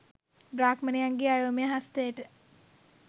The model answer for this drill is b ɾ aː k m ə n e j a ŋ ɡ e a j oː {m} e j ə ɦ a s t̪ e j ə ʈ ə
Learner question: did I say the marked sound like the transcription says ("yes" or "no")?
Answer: yes